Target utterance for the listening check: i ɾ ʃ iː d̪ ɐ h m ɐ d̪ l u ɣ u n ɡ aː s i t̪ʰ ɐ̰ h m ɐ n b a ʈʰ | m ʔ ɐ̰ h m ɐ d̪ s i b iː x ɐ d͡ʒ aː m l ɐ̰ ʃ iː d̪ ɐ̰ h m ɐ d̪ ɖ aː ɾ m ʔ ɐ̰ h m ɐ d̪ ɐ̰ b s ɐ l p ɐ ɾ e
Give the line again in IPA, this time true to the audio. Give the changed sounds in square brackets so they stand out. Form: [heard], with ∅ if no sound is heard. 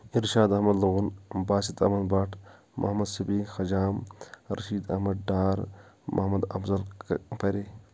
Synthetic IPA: i ɾ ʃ [aː] d̪ ɐ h m ɐ d̪ l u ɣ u n [b] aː s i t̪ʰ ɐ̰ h m ɐ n b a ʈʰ | m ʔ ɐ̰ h m ɐ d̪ s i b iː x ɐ d͡ʒ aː m [ɾ] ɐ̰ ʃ iː d̪ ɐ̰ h m ɐ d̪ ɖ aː ɾ m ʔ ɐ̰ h m ɐ d̪ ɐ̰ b [z] ɐ l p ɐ ɾ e